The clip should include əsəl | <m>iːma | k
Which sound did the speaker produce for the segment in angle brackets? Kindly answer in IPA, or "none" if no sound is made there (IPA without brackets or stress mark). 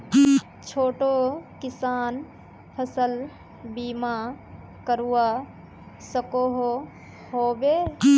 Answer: b